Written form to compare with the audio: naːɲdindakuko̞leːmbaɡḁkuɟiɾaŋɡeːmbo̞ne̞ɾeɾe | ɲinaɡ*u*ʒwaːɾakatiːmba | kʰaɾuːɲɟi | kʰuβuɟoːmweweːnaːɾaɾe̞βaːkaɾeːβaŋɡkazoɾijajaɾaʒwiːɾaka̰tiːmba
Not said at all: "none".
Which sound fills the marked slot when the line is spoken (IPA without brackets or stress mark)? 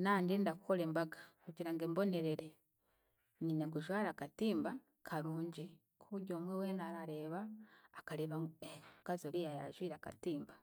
u